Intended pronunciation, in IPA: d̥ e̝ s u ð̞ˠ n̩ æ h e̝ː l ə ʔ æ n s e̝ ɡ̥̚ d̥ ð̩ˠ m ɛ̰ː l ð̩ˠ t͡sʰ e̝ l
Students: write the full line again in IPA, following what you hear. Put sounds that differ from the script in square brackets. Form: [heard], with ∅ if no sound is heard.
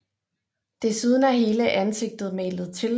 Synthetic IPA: d̥ e̝ s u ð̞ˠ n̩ æ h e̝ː l ə ʔ æ n s e̝ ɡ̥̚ d̥ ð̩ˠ m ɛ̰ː l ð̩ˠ t͡sʰ e̝ l

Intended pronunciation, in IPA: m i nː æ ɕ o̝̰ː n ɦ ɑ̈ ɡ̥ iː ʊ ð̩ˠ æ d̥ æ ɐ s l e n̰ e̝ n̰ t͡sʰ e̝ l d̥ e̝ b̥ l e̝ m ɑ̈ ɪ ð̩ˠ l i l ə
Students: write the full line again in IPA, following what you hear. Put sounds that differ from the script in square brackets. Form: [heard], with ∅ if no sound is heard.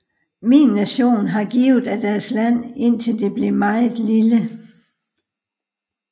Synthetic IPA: m i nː æ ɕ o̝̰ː n ɦ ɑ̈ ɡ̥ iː ʊ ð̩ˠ æ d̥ æ ɐ s l [æ] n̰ e̝ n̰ t͡sʰ e̝ l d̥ e̝ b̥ l e̝ m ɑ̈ ɪ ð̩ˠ l i l ə

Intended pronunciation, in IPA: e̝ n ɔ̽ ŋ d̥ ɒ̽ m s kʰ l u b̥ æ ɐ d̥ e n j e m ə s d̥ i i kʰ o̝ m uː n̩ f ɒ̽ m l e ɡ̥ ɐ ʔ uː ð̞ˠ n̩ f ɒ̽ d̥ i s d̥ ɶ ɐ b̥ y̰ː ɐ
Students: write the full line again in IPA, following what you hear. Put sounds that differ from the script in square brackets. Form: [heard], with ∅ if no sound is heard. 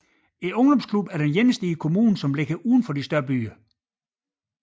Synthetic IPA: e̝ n ɔ̽ ŋ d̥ ɒ̽ m s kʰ l u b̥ æ ɐ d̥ e n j e [n] ə s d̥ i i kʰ o̝ m uː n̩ [s] ɒ̽ m l e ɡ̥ ɐ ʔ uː ð̞ˠ n̩ f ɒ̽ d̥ i s d̥ ɶ ɐ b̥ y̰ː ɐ

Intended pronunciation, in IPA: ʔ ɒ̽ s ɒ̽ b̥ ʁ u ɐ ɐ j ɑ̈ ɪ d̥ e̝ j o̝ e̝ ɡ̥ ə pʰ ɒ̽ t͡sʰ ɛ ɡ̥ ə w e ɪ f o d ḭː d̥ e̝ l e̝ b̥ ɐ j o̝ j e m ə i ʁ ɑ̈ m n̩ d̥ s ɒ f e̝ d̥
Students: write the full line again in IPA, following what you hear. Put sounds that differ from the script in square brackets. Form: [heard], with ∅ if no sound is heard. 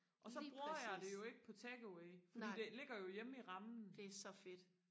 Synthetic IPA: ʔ ɒ̽ s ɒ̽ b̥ ʁ u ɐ ɐ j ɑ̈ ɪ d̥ e̝ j o̝ e̝ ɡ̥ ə pʰ ɒ̽ t͡sʰ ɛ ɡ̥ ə w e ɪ f [ɒ] d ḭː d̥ e̝ l e̝ [ɡ̥] ɐ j o̝ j e m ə i ʁ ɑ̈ m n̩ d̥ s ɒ f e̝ d̥

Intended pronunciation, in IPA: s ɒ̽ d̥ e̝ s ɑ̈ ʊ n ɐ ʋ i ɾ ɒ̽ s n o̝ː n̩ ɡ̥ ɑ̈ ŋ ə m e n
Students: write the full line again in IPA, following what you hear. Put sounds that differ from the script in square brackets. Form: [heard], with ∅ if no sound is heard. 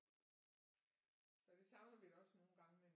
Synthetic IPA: s ɒ̽ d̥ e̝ s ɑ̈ ʊ n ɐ ʋ i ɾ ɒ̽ s n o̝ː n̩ ɡ̥ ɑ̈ ŋ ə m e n

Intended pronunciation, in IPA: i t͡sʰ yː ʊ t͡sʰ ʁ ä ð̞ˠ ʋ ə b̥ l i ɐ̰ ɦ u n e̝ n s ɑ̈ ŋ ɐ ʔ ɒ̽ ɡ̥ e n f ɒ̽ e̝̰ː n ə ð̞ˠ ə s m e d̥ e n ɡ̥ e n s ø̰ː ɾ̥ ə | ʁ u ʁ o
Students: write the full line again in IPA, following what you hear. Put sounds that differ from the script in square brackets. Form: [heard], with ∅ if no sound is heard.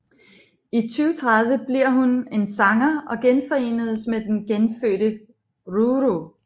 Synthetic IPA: i t͡sʰ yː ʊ t͡sʰ ʁ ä ð̞ˠ ʋ ə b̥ l i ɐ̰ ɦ u n e̝ n s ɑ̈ ŋ ɐ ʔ ɒ̽ ɡ̥ e n f ɒ̽ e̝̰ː n ə ð̞ˠ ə s m e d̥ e n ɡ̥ e n [f] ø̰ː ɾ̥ ə | ʁ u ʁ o

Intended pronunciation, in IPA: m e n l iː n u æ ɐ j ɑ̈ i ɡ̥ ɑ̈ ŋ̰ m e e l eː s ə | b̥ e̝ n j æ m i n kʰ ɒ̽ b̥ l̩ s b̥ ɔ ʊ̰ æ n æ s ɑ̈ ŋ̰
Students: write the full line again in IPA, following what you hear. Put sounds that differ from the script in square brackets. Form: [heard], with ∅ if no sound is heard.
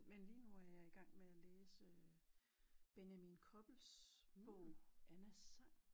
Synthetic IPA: m e n l iː n u æ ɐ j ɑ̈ i ɡ̥ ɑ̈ ŋ̰ m e [æ] l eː s ə | b̥ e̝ n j æ m i n kʰ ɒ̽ b̥ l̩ s b̥ ɔ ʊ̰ æ n æ s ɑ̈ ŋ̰

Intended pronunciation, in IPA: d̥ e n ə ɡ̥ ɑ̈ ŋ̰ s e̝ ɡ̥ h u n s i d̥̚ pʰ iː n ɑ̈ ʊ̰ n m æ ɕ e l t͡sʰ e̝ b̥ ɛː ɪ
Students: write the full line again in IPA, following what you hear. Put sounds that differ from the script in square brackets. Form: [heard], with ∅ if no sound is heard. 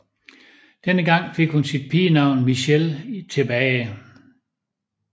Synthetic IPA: d̥ e n ə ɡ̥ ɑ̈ ŋ̰ [f] e̝ ɡ̥ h u n s i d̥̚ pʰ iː n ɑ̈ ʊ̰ n m [i] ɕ e l t͡sʰ e̝ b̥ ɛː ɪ

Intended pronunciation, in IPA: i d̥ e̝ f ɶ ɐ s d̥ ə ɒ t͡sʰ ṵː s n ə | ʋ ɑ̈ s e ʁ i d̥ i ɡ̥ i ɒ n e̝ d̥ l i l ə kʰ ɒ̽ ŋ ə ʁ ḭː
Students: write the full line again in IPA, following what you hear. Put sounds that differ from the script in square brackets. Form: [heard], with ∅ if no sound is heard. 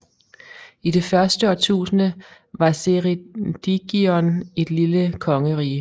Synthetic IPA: i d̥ e̝ f ɶ ɐ s d̥ ə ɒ t͡sʰ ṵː s n ə | ʋ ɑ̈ s e ʁ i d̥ i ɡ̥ i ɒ n e̝ d̥ l i l ə kʰ ɒ̽ ŋ ə ʁ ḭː

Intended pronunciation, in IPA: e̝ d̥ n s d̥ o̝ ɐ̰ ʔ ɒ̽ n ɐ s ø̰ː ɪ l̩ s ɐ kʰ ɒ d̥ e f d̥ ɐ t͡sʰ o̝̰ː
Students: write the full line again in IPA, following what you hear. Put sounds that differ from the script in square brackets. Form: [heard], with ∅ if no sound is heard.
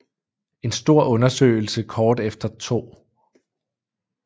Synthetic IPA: e̝ [∅] n s d̥ o̝ ɐ̰ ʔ [ɔ̽] n ɐ s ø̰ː ɪ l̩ s [ə] kʰ [ɒː] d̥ e f d̥ ɐ t͡sʰ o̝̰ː

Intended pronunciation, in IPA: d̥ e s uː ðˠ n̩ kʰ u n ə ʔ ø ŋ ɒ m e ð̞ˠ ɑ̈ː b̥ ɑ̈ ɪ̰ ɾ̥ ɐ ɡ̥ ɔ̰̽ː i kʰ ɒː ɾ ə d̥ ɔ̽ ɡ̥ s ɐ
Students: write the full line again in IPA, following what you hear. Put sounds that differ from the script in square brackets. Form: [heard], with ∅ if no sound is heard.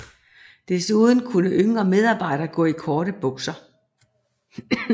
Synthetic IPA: d̥ e s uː ðˠ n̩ kʰ u n ə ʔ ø ŋ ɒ m e ð̞ˠ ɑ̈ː b̥ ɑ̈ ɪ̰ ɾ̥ ɐ ɡ̥ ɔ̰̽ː i kʰ ɒː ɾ ə [b̥] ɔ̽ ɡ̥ s ɐ

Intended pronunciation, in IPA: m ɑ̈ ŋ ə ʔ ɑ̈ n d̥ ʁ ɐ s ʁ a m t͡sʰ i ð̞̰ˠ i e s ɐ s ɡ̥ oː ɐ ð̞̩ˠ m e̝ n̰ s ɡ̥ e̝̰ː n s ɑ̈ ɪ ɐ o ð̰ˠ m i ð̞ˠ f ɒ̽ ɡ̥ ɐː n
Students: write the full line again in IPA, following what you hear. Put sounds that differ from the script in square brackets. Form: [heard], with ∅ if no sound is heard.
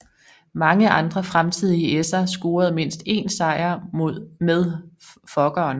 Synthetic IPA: m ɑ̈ ŋ ə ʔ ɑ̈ n d̥ ʁ ɐ [f] ʁ a m t͡sʰ i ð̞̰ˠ i e s ɐ s ɡ̥ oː ɐ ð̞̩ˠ m e̝ n̰ s [d̥] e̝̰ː n s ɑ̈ ɪ ɐ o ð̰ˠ m [e] ð̞ˠ f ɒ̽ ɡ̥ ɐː n

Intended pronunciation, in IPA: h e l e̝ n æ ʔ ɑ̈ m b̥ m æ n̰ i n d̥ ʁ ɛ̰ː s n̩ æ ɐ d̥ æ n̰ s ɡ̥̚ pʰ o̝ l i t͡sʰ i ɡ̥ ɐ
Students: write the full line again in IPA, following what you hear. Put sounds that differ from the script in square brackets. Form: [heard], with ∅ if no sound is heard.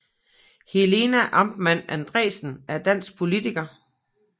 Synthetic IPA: h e l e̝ n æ ʔ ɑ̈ m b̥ m æ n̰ [æ] n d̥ ʁ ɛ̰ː s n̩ æ ɐ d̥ æ n̰ s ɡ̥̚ pʰ o̝ l i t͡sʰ i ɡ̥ ɐ

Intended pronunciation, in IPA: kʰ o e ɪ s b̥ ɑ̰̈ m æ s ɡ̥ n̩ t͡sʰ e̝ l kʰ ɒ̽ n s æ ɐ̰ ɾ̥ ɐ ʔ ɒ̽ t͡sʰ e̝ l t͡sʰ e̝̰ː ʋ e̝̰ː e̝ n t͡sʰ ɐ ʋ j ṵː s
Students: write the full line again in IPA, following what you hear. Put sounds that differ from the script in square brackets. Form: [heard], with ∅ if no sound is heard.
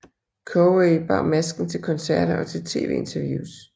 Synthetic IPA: kʰ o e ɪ [∅] b̥ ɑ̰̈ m æ s ɡ̥ n̩ t͡sʰ e̝ l kʰ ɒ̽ n s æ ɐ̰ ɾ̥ ɐ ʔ ɒ̽ t͡sʰ e̝ l t͡sʰ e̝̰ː ʋ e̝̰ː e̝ n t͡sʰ ɐ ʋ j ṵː s

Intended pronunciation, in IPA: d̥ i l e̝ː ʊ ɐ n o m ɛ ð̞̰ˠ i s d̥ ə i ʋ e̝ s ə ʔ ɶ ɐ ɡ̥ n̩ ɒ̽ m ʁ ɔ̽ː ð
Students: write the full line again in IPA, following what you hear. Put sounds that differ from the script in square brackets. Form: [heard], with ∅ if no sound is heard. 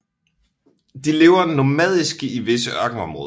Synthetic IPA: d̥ i l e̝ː ʊ ɐ n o m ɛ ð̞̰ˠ i s [ɡ̥] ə i ʋ e̝ s ə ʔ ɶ ɐ ɡ̥ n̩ ɒ̽ m ʁ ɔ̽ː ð

